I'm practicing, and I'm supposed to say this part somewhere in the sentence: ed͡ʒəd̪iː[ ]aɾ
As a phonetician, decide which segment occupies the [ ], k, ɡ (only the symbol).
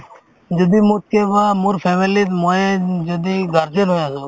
ɡ